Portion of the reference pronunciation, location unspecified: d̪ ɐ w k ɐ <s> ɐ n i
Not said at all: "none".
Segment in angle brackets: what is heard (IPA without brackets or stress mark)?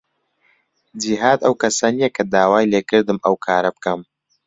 s